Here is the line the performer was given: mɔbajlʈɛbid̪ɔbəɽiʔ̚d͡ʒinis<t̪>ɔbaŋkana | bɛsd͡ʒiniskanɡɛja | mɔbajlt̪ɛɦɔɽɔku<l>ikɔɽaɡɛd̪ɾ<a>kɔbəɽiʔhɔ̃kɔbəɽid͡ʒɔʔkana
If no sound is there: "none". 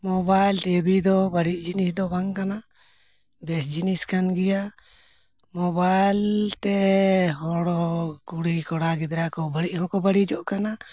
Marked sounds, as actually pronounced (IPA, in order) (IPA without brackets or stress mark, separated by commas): d̪, ɽ, a